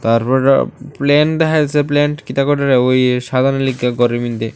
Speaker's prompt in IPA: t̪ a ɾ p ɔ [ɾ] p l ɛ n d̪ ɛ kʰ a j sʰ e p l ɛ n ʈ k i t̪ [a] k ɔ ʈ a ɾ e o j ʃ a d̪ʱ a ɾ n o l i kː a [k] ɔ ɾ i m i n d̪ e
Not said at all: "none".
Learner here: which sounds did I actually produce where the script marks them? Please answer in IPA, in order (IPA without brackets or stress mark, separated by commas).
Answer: ɾ, a, ɡ